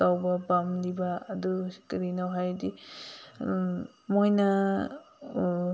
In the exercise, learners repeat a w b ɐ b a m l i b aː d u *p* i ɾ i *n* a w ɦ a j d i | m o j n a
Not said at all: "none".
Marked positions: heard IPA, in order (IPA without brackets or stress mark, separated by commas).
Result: k, n